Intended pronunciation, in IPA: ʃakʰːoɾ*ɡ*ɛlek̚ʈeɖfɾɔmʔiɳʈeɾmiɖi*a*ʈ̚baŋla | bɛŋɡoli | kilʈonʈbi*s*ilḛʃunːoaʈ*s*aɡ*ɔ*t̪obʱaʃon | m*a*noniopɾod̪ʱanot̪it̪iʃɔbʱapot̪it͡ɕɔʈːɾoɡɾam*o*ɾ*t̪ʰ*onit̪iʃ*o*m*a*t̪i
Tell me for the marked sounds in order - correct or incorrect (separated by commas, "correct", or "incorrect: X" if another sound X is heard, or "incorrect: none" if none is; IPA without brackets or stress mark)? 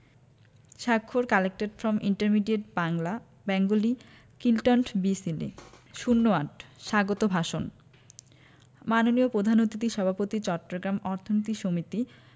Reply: incorrect: k, incorrect: e, correct, incorrect: ʃ, incorrect: o, correct, incorrect: ɔ, correct, correct, incorrect: i